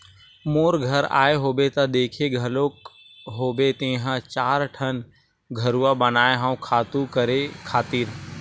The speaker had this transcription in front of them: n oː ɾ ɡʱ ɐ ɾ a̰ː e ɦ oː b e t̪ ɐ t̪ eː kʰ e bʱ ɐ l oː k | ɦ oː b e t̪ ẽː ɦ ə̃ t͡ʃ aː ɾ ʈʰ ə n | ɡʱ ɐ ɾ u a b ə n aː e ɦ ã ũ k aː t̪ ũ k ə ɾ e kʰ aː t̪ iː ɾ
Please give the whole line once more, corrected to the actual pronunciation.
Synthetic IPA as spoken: m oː ɾ ɡʱ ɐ ɾ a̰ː e ɦ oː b e t̪ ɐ d̪ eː kʰ e ɡʱ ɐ l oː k | ɦ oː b e t̪ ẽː ɦ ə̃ t͡ʃ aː ɾ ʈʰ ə n | ɡʱ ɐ ɾ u a b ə n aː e ɦ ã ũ kʰ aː t̪ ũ k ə ɾ e kʰ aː t̪ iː ɾ